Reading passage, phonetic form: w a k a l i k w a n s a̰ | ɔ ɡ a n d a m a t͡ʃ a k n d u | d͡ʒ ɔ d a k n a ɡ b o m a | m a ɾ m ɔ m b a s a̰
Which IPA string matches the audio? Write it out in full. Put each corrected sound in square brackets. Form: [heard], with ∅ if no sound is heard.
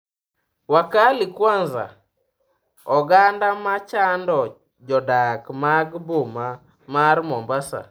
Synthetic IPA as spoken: w a k a l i k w a n [z] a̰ | ɔ ɡ a n d a m a t͡ʃ a [∅] n d [ɔ] | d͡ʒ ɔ d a k [m] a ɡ b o m a | m a ɾ m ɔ m b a s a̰